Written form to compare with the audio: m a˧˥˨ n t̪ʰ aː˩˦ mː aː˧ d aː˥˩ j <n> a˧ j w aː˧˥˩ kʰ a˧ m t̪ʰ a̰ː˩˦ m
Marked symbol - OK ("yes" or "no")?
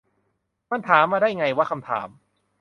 no